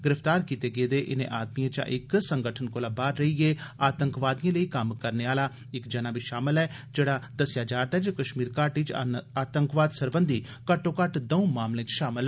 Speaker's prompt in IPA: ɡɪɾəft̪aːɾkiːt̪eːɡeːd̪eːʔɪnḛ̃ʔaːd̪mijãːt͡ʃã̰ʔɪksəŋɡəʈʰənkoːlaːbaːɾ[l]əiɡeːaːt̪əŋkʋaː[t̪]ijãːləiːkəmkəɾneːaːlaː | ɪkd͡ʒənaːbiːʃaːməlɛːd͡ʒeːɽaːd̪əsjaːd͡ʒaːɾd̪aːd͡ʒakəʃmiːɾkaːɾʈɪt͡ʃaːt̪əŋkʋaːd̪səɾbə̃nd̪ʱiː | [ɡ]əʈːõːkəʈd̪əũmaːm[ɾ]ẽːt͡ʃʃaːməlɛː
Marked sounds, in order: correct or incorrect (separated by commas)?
incorrect, incorrect, incorrect, incorrect